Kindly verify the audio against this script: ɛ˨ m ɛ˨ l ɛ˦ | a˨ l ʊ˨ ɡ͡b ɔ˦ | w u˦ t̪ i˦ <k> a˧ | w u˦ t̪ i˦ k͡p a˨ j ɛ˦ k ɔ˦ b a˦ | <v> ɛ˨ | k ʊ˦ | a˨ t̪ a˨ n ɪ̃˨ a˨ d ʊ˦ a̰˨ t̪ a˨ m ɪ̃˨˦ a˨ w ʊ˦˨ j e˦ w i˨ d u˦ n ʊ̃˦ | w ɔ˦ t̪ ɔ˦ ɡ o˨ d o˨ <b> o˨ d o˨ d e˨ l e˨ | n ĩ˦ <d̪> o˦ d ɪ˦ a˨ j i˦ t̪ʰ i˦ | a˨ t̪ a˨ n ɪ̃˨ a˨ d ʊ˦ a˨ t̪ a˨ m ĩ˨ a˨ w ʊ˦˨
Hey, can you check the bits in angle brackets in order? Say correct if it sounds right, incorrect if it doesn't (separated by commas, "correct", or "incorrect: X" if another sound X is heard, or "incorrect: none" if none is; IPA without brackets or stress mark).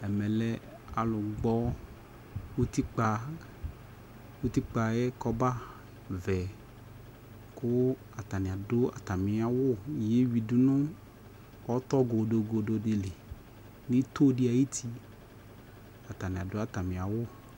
incorrect: k͡p, correct, incorrect: ɡ, incorrect: t̪